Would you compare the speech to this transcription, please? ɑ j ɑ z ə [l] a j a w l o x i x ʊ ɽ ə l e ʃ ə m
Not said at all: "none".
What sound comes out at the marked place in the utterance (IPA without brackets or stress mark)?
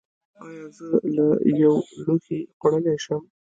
l